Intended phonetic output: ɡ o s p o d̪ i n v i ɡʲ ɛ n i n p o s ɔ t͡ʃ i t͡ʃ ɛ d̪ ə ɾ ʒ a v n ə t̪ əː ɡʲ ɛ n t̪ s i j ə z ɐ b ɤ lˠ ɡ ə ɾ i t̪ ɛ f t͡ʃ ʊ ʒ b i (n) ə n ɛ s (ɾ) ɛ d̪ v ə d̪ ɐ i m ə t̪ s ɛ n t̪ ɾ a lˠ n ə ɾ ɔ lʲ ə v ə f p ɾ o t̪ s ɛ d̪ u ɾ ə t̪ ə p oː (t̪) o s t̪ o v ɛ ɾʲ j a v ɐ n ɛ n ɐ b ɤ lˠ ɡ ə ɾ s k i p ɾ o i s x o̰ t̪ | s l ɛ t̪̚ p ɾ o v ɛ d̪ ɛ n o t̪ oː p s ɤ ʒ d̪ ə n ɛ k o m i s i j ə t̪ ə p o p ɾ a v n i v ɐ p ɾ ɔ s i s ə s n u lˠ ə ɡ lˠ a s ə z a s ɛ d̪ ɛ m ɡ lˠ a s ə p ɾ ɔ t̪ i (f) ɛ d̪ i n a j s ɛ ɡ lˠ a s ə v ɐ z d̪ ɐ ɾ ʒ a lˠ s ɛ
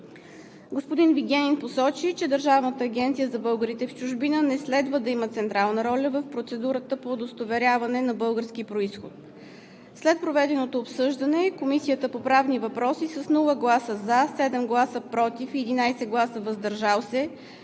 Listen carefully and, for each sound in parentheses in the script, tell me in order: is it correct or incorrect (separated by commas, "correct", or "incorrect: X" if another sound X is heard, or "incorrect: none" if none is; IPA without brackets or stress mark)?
correct, incorrect: l, incorrect: d̪, correct